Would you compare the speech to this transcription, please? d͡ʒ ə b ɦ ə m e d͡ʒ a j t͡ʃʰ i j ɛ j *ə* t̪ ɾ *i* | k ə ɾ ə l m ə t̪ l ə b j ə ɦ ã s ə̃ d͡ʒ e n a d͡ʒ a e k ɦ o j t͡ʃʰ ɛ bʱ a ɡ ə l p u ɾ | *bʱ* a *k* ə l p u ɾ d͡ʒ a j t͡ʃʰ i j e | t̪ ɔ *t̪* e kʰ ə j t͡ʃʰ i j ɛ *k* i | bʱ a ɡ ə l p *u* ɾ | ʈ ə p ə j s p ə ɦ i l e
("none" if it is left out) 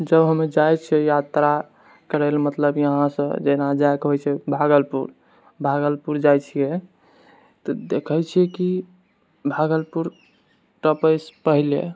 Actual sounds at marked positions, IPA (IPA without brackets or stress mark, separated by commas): a, a, bʱ, ɡ, d̪, k, u